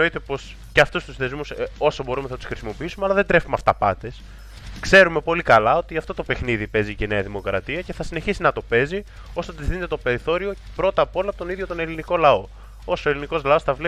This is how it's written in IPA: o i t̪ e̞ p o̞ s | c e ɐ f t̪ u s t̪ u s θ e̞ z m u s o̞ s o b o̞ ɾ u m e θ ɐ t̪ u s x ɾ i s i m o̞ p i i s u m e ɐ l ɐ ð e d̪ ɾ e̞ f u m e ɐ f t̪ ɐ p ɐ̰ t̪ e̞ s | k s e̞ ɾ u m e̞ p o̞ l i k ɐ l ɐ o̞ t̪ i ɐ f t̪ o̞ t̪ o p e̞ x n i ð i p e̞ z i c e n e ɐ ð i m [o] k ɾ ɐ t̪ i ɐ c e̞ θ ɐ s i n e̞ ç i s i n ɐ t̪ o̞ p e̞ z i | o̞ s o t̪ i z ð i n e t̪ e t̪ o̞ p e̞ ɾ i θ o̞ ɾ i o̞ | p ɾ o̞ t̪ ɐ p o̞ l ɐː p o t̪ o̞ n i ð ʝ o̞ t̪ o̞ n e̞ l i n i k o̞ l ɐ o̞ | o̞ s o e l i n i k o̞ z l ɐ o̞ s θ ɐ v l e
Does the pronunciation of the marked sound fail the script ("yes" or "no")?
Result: no